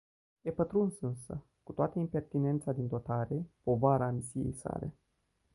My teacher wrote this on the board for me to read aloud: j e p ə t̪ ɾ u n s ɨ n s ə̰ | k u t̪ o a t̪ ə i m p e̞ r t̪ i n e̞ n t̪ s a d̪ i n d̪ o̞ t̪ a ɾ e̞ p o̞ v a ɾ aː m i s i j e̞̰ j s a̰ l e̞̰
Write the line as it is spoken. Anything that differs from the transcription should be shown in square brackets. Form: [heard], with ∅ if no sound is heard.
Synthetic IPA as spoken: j e p ə t̪ ɾ u n s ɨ n s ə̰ | k u t̪ o a t̪ ə i m p e̞ r t̪ i n e̞ n t̪ s a d̪ i n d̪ o̞ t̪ a ɾ e̞ p o̞ v a ɾ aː m i s i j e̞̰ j s a̰ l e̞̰